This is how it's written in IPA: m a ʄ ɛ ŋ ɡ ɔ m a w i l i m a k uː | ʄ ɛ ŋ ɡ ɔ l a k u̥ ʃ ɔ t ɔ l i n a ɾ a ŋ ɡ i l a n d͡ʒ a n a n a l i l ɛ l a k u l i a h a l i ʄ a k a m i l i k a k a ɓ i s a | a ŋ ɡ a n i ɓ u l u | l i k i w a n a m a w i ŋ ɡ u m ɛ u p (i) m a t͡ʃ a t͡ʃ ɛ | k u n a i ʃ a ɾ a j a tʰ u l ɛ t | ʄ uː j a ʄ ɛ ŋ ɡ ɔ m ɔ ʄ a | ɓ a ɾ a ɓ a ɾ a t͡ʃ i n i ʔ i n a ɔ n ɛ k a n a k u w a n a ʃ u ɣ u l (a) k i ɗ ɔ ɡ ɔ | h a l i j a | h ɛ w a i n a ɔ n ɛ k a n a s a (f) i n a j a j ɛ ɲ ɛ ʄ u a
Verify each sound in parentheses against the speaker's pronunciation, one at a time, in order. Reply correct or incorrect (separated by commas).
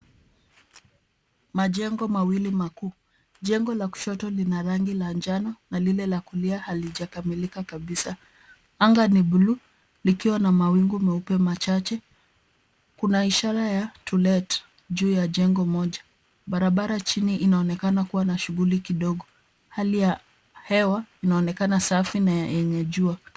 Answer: incorrect, incorrect, correct